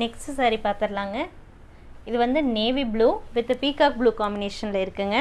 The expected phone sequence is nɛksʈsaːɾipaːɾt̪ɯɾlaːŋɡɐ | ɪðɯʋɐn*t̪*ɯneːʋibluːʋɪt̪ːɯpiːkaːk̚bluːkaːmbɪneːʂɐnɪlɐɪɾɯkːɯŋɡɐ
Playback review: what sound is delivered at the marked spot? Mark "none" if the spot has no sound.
d̪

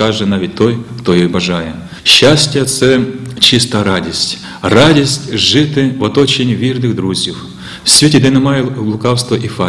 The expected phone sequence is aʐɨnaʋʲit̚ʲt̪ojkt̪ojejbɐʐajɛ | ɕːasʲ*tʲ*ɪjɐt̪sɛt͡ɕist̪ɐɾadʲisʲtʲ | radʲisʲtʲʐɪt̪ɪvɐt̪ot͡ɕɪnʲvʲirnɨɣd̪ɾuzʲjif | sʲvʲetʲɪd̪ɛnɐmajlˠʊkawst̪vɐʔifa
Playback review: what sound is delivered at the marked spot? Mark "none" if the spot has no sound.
tʲ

